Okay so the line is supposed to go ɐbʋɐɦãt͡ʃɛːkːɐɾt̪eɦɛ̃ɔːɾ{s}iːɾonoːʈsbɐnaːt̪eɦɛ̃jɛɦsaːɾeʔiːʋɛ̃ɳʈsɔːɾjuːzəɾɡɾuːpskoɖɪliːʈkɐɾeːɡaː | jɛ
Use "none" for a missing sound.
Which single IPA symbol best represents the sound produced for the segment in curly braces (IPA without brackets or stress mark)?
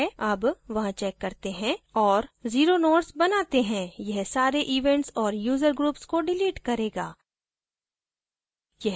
z